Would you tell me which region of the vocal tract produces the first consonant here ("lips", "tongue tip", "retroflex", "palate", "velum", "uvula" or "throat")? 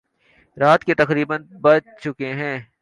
tongue tip